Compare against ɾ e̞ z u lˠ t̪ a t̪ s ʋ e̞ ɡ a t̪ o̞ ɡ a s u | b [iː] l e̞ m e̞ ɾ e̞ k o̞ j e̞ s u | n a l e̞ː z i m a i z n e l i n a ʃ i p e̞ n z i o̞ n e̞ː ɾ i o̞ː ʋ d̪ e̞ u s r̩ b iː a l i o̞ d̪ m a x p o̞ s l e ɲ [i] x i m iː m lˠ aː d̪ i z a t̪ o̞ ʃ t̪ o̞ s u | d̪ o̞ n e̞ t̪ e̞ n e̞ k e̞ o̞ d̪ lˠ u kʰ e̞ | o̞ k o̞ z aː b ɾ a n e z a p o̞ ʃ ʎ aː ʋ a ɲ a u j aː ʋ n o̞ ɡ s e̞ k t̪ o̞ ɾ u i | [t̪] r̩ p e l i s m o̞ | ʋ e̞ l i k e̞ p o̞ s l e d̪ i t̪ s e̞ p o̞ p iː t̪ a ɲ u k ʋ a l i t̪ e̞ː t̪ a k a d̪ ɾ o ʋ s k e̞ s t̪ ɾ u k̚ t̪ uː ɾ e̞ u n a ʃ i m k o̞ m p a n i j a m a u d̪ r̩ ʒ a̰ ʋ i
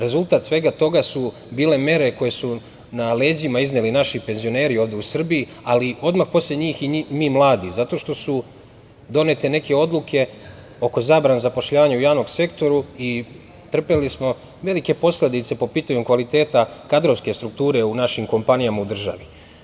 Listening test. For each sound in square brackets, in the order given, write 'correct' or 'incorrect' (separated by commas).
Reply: correct, incorrect, correct